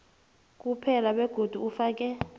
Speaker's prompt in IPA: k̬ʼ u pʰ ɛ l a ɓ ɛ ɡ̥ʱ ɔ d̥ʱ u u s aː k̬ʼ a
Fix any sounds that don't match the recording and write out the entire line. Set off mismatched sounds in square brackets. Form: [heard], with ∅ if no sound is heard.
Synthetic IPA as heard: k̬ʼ u pʰ ɛ l a ɓ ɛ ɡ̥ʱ [o] d̥ʱ u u [f] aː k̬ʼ [ɛ]